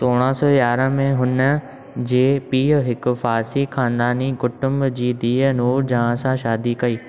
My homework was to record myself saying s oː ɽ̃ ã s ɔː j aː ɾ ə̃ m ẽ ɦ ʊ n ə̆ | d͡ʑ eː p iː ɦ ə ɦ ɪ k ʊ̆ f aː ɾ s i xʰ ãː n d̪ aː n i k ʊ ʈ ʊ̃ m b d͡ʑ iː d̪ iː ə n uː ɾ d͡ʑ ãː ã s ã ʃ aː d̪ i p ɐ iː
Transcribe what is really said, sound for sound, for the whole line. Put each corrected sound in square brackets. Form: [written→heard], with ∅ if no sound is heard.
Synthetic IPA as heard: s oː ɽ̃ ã s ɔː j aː ɾ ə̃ m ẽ ɦ ʊ n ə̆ | d͡ʑ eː p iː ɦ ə ɦ ɪ k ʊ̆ f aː ɾ s i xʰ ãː n d̪ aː n i k ʊ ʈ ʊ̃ m b d͡ʑ iː d̪ iː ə n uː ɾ d͡ʑ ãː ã s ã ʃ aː d̪ i [p→k] ɐ iː